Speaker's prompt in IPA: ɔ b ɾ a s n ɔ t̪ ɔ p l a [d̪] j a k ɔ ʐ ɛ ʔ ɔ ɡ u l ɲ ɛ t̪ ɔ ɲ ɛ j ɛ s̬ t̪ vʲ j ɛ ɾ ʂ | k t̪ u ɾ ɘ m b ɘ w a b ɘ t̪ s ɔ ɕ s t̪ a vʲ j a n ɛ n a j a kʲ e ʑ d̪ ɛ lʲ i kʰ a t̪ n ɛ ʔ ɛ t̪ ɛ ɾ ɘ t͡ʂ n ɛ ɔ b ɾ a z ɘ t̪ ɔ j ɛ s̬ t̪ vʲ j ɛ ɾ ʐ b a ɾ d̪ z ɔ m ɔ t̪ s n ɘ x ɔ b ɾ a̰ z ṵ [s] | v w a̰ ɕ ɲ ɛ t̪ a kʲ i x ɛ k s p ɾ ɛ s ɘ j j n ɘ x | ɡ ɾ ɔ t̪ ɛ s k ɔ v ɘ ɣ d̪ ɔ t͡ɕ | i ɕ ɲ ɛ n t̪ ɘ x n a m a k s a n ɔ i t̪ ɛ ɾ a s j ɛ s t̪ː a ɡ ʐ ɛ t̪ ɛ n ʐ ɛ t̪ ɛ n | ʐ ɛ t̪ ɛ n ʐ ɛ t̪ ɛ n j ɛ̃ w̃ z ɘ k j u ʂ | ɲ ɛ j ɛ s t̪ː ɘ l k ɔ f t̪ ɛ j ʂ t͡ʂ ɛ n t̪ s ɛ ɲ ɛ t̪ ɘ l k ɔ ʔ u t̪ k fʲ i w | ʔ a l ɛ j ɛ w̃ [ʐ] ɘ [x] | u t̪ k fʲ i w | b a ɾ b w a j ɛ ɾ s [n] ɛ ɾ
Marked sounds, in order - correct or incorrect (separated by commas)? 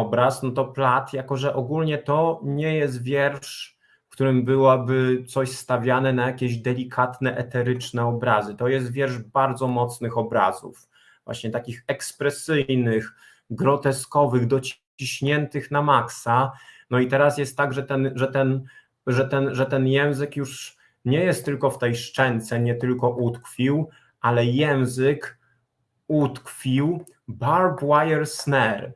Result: incorrect, incorrect, incorrect, incorrect, correct